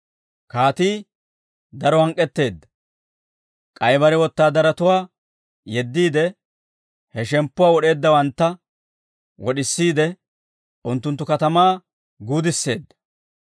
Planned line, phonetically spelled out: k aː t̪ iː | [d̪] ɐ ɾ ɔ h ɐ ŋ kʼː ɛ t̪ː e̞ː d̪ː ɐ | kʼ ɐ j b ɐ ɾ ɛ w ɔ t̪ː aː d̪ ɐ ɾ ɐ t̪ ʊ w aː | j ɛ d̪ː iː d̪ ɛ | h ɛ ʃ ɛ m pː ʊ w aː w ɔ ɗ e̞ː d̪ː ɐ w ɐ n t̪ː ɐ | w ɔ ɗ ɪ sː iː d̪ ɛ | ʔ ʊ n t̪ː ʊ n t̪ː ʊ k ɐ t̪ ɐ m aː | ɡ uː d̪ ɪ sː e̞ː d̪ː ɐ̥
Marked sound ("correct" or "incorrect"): correct